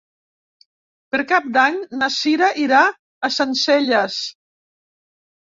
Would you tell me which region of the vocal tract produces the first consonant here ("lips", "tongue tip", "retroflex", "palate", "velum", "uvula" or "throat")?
lips